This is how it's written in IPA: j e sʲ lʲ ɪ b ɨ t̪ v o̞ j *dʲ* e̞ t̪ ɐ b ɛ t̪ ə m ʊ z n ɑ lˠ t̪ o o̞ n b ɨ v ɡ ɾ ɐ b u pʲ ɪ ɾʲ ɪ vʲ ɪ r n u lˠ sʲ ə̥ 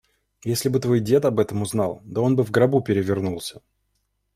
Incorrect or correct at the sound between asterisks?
correct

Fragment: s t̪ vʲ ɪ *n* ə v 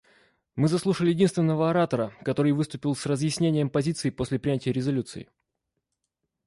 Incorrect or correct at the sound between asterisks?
incorrect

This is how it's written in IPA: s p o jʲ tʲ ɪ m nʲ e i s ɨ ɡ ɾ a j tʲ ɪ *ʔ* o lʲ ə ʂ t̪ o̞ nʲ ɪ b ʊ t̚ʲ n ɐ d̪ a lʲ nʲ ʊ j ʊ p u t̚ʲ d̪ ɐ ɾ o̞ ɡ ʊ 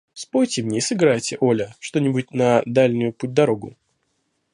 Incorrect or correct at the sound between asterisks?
correct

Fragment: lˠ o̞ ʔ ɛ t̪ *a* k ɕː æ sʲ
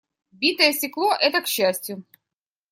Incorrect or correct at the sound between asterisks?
incorrect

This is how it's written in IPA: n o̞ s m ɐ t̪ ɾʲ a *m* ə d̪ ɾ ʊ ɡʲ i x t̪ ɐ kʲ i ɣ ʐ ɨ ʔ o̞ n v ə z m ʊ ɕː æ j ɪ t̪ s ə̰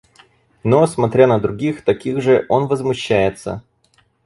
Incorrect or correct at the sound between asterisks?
incorrect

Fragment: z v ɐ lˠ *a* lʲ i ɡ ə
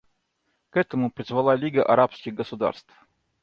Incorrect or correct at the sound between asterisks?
correct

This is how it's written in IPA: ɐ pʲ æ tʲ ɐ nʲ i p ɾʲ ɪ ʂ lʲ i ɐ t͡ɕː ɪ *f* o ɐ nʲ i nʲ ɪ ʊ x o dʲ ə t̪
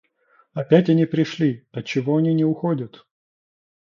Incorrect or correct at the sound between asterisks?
incorrect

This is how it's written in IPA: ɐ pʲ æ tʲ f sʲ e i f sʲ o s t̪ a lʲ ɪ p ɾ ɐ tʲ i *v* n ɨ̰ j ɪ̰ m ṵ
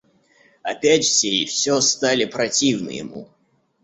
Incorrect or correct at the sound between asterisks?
correct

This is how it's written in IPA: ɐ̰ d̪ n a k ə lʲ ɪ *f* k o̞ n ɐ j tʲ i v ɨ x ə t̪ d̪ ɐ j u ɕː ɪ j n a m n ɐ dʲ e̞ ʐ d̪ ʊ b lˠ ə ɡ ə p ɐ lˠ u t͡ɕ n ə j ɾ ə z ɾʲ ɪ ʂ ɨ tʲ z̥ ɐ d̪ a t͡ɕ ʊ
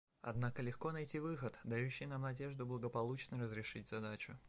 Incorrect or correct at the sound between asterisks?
incorrect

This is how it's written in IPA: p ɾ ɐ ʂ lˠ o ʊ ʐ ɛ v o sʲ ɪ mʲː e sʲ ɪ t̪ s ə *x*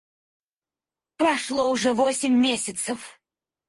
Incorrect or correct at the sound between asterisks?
incorrect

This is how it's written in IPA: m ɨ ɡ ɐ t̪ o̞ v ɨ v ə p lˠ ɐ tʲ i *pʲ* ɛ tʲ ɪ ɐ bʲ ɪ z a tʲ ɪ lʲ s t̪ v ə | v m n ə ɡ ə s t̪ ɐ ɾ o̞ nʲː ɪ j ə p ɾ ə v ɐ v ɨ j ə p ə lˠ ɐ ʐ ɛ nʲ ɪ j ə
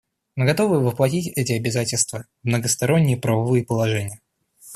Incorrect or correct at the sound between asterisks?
incorrect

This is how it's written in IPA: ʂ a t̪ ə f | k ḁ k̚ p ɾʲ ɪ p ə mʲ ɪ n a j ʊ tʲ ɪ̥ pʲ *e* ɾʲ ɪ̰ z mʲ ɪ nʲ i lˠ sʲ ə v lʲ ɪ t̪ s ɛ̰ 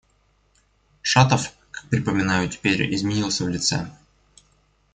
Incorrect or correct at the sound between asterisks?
correct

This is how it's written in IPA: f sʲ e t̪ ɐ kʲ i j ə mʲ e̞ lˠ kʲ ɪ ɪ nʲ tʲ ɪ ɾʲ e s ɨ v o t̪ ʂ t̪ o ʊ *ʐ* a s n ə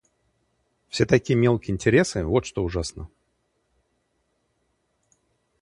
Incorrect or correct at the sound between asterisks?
correct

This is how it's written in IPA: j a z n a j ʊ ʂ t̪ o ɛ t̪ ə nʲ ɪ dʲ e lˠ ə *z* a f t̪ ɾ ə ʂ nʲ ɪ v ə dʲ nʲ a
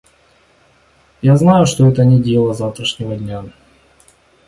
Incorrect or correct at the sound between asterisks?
correct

